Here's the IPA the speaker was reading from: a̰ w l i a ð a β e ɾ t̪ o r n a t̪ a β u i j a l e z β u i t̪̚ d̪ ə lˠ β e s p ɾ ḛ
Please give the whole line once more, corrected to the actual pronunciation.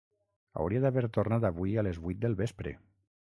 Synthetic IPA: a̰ w ɾ i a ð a β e ɾ t̪ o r n a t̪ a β u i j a l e z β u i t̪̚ d̪ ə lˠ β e s p ɾ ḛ